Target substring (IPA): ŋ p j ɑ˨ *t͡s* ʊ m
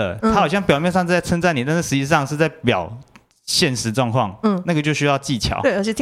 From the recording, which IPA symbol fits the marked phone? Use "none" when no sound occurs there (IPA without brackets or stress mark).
none